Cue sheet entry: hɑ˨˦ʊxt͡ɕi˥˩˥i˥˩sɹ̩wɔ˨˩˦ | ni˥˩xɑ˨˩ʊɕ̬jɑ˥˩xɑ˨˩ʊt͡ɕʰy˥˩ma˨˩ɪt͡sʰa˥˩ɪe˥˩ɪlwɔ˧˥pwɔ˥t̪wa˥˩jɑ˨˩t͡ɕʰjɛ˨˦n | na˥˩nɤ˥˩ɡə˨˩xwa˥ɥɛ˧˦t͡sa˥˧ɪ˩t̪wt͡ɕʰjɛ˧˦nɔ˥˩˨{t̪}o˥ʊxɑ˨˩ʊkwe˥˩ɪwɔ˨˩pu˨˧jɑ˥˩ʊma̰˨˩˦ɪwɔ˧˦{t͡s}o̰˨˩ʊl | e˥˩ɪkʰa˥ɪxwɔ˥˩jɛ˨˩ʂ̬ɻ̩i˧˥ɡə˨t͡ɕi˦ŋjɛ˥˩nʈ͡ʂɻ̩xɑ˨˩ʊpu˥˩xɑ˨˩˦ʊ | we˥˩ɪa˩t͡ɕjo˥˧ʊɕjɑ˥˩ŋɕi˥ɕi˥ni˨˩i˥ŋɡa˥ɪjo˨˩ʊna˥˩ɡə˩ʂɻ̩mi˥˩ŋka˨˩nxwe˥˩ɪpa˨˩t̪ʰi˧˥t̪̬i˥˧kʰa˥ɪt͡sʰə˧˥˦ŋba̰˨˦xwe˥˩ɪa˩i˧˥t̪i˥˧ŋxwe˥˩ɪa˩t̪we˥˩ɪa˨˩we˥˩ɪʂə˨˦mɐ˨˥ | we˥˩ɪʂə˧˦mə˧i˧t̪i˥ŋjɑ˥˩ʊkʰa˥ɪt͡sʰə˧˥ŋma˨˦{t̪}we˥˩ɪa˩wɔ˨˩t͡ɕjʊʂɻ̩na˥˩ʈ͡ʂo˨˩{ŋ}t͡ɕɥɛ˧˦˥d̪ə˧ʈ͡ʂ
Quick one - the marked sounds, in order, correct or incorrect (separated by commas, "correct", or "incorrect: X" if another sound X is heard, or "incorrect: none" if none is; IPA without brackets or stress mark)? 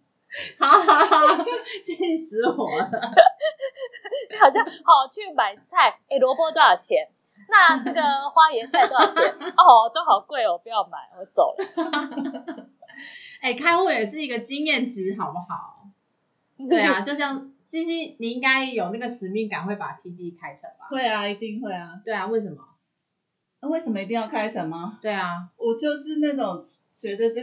correct, correct, correct, correct